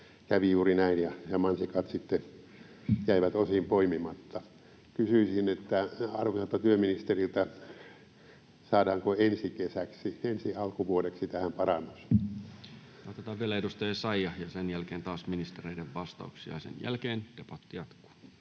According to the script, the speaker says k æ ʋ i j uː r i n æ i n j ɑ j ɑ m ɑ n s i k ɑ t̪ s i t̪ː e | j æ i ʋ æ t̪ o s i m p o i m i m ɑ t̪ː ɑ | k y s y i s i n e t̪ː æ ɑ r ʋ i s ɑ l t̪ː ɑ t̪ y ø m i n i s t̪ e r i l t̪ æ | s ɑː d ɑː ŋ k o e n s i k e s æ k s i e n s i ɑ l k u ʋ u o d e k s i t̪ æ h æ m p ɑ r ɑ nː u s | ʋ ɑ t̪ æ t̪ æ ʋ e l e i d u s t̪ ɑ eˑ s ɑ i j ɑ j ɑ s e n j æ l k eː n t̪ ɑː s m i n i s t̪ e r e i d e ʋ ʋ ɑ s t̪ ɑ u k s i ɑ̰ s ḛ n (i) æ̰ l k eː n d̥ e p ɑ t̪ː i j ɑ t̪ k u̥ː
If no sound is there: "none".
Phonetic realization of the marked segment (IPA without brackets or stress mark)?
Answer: j